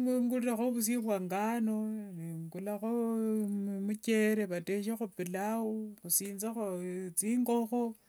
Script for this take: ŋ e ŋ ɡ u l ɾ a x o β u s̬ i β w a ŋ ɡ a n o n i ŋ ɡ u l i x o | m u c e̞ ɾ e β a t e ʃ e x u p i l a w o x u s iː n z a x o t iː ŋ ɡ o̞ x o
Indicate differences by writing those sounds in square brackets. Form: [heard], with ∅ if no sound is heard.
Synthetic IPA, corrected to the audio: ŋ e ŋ ɡ u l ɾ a x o β u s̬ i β w a ŋ ɡ a n o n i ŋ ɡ u l [a] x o | m u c e̞ ɾ e β a t e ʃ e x u p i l a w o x u s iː n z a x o [t͡s] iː ŋ ɡ o̞ x o

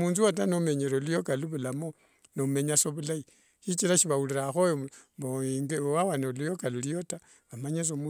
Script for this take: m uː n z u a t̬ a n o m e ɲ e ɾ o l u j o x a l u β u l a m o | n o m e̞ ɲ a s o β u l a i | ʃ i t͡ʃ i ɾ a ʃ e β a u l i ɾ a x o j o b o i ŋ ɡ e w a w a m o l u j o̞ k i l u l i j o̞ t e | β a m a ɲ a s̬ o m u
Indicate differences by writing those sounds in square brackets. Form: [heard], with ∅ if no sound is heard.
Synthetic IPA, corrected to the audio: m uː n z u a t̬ a n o m e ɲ e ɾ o l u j o [k] a l u β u l a m o | n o m e̞ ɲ a s o β u l a i | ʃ i t͡ʃ i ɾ a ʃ [i] β a u l i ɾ a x o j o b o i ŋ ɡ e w a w a [n] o l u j o̞ k [a] l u l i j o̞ t [a] | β a m a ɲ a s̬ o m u

